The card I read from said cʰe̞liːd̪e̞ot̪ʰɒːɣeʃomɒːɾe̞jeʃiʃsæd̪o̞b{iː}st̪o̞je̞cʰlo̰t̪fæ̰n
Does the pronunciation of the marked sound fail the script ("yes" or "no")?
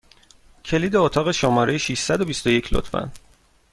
yes